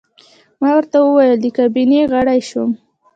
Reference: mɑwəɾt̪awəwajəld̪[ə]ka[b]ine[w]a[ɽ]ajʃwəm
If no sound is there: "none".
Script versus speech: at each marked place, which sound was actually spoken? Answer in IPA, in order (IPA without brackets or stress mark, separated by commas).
ə, b, ɣ, ɽ